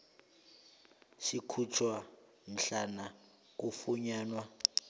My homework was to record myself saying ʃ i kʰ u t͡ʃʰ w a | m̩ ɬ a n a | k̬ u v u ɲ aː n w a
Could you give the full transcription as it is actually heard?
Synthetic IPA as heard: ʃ i kʰ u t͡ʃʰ w a | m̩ ɬ a n a | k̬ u f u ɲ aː n w a